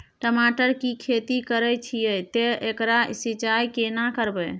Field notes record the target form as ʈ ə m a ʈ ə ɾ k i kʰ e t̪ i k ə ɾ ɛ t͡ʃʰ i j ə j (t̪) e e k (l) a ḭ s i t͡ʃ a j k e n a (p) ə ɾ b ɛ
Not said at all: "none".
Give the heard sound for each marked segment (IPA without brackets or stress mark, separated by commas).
t̪, ɾ, k